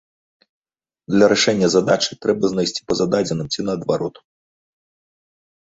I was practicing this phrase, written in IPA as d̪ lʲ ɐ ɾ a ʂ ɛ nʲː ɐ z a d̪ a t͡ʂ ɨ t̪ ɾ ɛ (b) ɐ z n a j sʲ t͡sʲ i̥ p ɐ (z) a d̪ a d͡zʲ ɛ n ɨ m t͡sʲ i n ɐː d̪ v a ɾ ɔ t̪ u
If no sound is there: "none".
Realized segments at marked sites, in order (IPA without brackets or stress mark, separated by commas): b, z